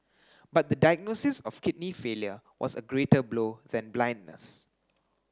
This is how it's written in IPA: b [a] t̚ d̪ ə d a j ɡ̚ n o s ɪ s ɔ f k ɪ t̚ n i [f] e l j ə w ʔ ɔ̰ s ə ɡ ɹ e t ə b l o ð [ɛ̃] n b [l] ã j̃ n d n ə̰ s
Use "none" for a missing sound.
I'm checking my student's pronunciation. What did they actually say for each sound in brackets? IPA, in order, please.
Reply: a, f, ɛ̃, l

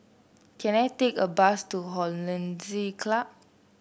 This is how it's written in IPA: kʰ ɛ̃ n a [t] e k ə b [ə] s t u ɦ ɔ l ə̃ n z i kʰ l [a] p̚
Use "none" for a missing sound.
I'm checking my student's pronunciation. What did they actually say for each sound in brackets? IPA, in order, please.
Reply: t, a, a

